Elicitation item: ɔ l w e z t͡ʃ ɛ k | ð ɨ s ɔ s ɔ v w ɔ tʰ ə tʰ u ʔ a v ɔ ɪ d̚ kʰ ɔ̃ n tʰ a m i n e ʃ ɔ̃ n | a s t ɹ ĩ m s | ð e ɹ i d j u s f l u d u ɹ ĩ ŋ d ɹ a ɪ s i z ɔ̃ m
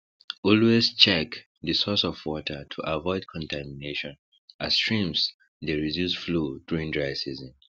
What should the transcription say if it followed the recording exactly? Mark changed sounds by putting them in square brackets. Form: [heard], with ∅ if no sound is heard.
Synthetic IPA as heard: ɔ l w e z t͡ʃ ɛ k | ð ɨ s ɔ s ɔ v w ɔ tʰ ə tʰ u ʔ a v ɔ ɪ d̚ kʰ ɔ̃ n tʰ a m i n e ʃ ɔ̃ n | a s t ɹ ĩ m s | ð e ɹ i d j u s f l u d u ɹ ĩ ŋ d ɹ a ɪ s i z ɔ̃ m